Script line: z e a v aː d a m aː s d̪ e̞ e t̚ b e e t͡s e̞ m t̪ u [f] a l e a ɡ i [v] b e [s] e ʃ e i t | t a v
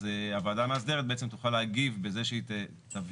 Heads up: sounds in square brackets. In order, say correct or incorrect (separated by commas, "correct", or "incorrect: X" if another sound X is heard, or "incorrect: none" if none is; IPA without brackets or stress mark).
incorrect: χ, correct, incorrect: z